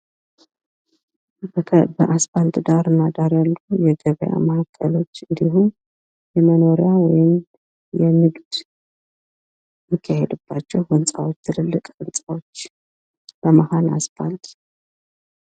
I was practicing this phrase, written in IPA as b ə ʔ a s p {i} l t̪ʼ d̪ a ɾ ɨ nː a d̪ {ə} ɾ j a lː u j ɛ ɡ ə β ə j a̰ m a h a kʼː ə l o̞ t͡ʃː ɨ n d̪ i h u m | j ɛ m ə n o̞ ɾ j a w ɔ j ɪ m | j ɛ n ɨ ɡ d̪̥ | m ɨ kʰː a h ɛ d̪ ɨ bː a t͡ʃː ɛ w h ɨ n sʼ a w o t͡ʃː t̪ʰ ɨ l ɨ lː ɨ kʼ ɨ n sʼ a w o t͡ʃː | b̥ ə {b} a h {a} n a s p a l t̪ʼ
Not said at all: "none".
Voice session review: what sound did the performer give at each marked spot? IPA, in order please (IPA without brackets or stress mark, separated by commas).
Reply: a, a, m, a